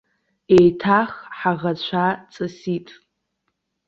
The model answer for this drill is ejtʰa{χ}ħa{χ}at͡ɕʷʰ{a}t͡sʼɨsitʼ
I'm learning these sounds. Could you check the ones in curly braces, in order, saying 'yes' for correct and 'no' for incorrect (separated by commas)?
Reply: yes, no, yes